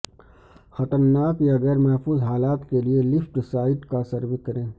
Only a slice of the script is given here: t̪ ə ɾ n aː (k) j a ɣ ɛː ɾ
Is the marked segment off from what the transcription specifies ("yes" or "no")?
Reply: no